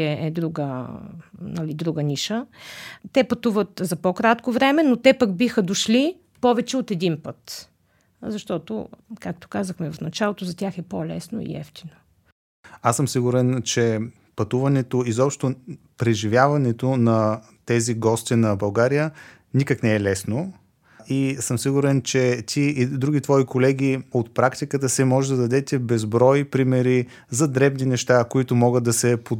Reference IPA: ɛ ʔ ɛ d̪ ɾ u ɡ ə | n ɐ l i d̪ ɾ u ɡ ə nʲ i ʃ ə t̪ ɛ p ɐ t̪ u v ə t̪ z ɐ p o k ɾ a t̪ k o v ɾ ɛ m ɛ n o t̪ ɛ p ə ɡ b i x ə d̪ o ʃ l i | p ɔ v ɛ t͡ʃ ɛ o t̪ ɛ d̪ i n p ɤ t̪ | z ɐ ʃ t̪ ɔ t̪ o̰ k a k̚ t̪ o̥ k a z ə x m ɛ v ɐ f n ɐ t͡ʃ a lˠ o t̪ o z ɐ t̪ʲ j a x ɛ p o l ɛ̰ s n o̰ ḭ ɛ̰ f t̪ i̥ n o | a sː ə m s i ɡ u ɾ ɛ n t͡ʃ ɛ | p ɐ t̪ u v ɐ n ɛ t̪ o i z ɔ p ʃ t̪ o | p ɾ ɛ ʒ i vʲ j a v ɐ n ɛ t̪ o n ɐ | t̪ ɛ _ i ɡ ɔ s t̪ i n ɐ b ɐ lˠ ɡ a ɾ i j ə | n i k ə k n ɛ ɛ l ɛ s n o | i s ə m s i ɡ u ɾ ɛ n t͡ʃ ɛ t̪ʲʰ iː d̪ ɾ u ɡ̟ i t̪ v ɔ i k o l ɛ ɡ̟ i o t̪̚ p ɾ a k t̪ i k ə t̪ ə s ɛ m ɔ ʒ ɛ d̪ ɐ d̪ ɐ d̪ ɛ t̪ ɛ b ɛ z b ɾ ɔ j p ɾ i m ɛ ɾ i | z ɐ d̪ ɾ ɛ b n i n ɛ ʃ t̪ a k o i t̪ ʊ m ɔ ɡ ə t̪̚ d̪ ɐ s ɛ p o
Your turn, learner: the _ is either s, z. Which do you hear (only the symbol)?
z